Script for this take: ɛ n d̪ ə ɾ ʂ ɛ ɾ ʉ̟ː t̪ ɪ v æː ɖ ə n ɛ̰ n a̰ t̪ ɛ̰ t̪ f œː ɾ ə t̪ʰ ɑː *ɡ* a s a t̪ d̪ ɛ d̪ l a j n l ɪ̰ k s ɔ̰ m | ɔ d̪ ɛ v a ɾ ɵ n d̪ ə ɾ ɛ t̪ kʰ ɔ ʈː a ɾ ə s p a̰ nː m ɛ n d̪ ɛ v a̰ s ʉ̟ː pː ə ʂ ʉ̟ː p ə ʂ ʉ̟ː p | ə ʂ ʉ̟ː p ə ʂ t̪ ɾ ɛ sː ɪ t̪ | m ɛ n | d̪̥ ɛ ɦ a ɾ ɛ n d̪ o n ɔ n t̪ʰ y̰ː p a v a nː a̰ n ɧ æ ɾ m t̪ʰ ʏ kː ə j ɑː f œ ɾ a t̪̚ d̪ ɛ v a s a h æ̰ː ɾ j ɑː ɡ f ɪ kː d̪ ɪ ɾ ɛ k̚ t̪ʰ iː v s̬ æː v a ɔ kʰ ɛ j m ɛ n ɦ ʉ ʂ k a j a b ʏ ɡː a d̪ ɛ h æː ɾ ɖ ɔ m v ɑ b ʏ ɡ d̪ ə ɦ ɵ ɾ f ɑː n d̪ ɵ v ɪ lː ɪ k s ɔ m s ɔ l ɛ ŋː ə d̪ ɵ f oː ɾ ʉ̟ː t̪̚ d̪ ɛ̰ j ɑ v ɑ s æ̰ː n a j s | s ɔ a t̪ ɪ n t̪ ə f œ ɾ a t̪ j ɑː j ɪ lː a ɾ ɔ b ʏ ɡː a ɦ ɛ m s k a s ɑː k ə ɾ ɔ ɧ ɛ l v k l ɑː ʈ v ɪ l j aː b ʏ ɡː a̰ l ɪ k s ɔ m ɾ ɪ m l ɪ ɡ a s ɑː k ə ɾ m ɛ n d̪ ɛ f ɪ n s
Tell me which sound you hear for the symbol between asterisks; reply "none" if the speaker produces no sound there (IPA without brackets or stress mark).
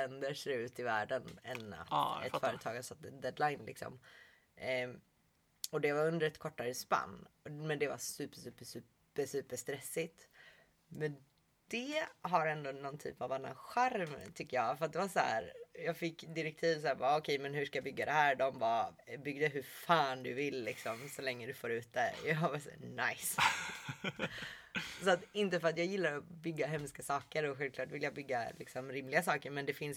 ɡ